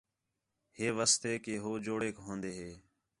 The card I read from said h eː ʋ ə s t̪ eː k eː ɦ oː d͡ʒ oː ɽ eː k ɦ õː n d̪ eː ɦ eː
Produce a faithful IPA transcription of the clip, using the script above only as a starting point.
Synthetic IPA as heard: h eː ʋ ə s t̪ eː k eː ɦ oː d͡ʒ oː ɽ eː k ɦ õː n d̪ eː ɦ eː